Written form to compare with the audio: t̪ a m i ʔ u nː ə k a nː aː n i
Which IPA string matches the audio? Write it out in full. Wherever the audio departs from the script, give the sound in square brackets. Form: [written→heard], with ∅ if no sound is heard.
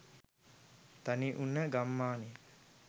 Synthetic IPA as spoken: t̪ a [m→n] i ʔ u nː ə [k→ɡ] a [nː→mː] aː n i